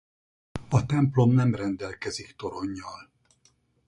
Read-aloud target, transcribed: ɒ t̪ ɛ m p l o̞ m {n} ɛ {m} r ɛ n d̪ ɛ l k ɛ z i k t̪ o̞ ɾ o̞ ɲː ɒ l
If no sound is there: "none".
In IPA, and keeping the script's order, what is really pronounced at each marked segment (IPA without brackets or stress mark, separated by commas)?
n, m